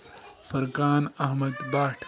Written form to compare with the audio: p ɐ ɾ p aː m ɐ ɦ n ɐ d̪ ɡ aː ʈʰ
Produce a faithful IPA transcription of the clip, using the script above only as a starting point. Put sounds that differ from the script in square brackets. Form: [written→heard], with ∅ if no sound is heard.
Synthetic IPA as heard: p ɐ ɾ [p→k] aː [m→n] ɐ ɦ [n→m] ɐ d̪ [ɡ→b] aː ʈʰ